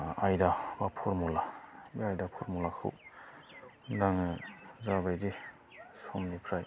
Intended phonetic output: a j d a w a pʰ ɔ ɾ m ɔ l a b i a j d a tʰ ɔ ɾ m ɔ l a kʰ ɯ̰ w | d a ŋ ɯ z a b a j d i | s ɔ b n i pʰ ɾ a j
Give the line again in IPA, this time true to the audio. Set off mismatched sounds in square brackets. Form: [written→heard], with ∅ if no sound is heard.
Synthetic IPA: a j d a [w→b] a pʰ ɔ ɾ m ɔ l a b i a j d a [tʰ→pʰ] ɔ ɾ m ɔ l a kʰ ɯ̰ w | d a ŋ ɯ z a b a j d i | s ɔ [b→m] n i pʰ ɾ a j